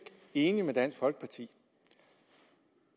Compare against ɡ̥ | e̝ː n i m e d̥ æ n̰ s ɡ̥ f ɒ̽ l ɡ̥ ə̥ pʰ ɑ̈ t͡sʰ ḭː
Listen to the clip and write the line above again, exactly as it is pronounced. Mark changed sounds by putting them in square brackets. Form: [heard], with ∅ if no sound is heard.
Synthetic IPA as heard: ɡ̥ | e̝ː n i m e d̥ æ n̰ s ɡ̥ f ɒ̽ l ɡ̥ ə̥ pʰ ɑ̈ t͡sʰ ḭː